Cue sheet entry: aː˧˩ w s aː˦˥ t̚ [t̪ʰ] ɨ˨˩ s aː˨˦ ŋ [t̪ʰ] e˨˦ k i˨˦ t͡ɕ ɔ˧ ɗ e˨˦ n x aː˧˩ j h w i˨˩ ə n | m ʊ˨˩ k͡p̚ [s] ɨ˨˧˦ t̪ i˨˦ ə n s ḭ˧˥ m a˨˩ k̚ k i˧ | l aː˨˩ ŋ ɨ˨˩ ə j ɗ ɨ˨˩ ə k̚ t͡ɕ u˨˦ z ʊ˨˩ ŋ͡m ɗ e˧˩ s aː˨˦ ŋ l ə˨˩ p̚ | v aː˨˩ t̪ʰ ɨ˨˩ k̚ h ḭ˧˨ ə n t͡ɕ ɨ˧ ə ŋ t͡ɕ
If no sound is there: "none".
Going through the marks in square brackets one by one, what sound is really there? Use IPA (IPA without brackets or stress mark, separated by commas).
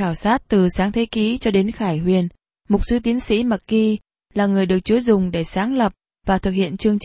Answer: t̪, t̪ʰ, s